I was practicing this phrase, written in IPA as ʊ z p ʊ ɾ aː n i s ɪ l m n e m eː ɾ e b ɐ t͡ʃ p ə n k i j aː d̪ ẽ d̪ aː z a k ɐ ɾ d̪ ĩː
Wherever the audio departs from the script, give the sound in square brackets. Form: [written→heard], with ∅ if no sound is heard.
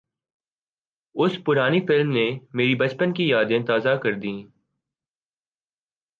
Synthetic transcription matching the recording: ʊ [z→s] p ʊ ɾ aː n i [s→f] ɪ l m n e m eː ɾ [e→i] b ɐ t͡ʃ p ə n k i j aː d̪ ẽ [d̪→t̪] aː z a k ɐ ɾ d̪ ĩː